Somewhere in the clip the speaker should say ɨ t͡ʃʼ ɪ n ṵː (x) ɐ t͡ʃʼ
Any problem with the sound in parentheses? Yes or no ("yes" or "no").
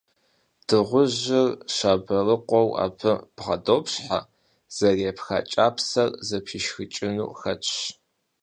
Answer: no